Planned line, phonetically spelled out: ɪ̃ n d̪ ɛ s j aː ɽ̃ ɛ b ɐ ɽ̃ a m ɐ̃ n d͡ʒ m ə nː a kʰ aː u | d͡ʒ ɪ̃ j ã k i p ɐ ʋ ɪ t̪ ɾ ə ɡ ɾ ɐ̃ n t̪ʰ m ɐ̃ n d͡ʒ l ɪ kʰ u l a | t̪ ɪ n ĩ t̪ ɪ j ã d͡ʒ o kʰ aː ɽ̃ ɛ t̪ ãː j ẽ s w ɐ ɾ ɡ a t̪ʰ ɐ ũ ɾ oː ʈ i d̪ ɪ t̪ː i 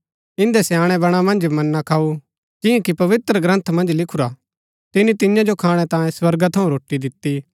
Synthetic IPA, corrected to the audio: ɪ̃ n d̪ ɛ s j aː ɽ̃ ɛ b ɐ ɽ̃ a m ɐ̃ n d͡ʒ m ɐ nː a kʰ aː u | d͡ʒ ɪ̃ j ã k i p ɐ ʋ ɪ t̪ ɾ ə ɡ ɾ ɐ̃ n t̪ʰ m ɐ̃ n d͡ʒ l ɪ kʰ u ɾ a | t̪ ɪ n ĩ t̪ ɪ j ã d͡ʒ o kʰ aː ɽ̃ ɛ t̪ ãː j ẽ s w ɐ ɾ ɡ a t̪ʰ ɐ ũ ɾ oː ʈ i d̪ ɪ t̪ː i